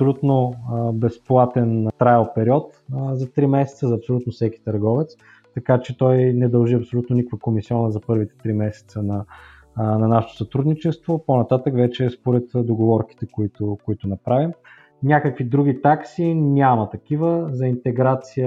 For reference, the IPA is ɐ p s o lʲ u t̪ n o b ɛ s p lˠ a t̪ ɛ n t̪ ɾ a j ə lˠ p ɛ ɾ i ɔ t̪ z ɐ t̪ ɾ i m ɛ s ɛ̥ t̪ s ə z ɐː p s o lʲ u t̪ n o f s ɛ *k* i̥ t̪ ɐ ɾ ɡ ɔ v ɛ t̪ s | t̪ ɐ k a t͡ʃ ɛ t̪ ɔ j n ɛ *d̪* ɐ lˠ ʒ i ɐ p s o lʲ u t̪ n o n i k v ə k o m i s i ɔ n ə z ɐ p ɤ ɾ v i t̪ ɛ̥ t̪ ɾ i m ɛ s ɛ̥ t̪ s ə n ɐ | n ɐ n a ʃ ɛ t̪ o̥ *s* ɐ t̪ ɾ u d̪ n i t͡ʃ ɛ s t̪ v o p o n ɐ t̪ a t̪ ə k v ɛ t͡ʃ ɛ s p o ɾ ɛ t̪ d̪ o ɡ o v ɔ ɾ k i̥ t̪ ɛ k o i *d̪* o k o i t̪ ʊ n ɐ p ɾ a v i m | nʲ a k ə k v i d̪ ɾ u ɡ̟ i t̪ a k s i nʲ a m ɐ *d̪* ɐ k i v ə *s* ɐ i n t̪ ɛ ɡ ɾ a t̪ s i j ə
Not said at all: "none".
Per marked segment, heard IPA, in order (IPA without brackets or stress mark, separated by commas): k, d̪, s, t̪, t̪, z